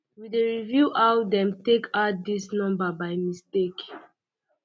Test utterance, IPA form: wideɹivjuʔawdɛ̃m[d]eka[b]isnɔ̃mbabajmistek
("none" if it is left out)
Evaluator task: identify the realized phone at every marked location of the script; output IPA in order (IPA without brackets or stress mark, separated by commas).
t, d